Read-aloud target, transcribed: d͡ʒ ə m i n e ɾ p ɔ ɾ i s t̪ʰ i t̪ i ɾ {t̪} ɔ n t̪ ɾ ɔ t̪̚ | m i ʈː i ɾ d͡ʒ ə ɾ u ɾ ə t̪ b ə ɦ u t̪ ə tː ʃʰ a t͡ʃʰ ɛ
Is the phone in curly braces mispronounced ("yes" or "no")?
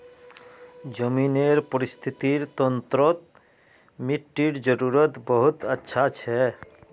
no